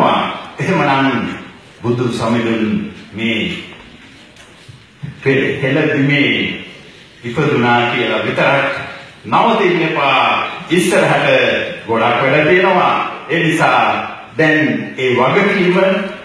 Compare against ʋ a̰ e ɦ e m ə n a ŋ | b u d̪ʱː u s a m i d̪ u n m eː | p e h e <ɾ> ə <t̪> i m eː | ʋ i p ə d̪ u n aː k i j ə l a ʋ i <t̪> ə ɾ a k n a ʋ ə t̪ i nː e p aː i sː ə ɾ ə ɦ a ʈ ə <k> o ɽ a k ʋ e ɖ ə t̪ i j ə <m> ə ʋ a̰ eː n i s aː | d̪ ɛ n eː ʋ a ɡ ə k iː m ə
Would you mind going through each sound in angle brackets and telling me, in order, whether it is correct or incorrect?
incorrect: l, incorrect: d̪, correct, incorrect: ɡ, incorrect: n

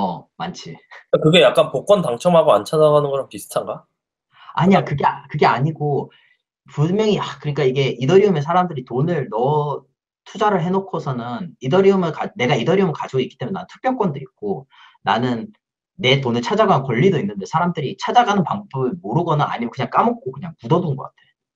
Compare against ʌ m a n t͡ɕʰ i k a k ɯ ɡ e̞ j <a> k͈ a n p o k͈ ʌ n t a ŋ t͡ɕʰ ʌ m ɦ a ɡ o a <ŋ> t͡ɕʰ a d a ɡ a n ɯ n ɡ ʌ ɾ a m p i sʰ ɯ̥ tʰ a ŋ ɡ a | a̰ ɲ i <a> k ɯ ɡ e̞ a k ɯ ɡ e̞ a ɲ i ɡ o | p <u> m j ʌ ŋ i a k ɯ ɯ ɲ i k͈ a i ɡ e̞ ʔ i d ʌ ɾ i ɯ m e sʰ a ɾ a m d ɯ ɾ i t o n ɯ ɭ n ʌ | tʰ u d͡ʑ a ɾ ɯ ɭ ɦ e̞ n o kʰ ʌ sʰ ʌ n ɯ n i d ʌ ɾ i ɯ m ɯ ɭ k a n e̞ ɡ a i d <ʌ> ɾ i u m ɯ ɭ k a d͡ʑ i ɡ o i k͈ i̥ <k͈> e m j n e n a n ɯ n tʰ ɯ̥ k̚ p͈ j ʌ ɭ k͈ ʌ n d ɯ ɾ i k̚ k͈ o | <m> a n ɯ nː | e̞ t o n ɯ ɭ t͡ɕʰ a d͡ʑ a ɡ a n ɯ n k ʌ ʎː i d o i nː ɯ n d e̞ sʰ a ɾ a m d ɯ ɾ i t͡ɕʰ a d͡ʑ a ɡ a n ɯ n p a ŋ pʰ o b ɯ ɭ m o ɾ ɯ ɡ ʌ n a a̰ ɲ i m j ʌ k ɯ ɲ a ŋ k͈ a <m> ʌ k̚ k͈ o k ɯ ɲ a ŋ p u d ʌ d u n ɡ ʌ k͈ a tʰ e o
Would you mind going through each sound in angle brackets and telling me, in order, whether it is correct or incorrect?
correct, incorrect: n, correct, correct, correct, incorrect: t͈, incorrect: n, correct

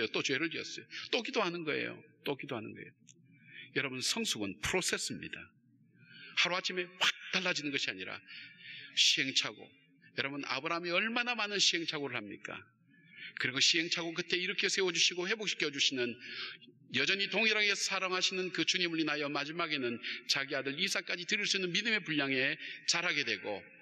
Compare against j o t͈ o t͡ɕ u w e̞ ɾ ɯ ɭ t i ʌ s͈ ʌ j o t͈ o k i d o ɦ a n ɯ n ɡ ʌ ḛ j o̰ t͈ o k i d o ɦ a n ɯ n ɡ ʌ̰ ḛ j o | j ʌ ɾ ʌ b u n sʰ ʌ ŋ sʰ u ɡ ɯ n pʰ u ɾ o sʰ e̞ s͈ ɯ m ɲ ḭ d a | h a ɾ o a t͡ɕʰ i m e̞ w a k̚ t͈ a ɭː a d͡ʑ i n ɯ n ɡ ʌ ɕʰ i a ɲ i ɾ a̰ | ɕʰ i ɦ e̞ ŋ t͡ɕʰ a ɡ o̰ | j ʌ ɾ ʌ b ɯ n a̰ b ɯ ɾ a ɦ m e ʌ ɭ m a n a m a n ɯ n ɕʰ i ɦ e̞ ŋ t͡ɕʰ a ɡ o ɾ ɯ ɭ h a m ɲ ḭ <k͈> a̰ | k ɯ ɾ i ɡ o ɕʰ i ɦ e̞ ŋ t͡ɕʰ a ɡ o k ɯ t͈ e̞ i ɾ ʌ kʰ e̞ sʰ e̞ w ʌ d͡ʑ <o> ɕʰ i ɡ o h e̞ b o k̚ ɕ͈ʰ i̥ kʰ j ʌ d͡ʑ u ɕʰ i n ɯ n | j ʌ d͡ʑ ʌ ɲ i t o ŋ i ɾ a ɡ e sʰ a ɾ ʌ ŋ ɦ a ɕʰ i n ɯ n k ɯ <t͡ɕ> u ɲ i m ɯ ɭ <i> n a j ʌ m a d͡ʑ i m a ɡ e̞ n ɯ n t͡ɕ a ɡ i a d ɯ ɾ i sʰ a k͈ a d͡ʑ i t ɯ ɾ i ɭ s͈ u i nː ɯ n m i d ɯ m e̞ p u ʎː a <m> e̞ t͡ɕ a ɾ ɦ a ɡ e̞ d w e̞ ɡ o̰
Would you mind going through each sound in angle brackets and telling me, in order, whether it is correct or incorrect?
correct, incorrect: u, correct, correct, incorrect: ŋ

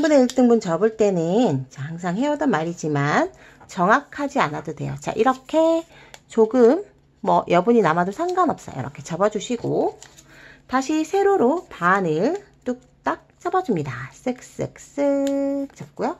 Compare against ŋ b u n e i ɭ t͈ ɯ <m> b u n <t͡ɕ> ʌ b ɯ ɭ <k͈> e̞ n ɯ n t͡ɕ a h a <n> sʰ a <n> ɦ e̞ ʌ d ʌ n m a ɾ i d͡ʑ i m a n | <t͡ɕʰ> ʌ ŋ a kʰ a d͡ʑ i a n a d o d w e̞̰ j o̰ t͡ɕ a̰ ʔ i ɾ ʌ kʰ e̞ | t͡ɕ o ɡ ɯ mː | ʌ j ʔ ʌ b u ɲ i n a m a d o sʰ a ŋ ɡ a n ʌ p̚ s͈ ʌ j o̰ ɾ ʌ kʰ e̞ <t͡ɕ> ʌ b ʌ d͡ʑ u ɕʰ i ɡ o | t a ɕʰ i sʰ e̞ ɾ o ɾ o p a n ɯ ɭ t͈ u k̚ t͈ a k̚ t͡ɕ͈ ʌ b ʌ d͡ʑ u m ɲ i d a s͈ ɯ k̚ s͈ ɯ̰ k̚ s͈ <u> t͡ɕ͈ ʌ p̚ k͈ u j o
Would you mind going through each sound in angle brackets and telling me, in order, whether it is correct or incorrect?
incorrect: ŋ, correct, incorrect: t͈, incorrect: ŋ, incorrect: ŋ, incorrect: t͡ɕ, correct, incorrect: ɯ

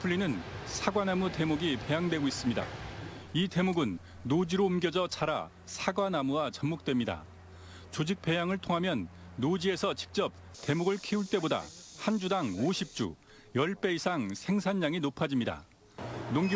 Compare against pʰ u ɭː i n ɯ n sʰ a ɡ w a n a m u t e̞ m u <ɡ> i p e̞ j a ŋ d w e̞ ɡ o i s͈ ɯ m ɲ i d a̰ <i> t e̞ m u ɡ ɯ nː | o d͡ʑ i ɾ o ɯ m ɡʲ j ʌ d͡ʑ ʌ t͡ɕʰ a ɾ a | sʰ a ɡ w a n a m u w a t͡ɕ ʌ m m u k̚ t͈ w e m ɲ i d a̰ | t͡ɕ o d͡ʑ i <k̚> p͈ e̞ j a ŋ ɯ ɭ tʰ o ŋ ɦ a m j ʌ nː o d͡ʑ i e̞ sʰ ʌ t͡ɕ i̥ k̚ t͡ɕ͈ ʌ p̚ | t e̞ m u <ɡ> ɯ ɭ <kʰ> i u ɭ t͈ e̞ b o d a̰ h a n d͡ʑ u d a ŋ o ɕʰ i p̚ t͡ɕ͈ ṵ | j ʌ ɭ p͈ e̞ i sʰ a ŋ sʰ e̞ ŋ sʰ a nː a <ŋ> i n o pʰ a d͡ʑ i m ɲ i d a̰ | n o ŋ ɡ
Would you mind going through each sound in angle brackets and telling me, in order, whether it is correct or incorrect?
correct, correct, correct, correct, correct, correct

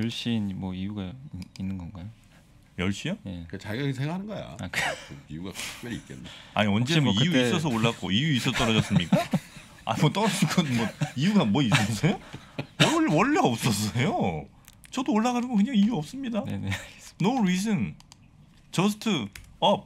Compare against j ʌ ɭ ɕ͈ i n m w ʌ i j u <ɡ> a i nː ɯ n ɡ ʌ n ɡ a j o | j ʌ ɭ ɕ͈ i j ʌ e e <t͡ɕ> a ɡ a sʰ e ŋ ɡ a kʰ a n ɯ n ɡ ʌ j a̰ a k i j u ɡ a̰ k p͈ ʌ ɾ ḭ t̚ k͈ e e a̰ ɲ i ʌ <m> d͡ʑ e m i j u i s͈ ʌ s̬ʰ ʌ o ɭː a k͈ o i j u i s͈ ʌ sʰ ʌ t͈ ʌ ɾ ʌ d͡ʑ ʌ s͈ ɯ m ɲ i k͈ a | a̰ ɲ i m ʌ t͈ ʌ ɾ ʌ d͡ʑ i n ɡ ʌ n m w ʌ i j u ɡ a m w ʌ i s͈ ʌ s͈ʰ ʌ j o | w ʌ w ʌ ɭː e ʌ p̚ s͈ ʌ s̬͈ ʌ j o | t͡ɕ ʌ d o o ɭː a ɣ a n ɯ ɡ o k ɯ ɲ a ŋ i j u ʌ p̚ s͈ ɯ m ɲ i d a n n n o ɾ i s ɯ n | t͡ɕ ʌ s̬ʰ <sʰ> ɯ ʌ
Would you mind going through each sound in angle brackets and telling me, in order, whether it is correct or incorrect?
correct, correct, incorrect: n, incorrect: tʰ

